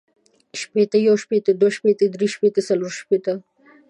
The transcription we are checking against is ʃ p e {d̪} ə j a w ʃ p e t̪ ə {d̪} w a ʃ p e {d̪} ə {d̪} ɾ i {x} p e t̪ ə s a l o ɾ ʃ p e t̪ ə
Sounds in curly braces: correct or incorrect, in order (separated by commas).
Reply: incorrect, correct, incorrect, correct, incorrect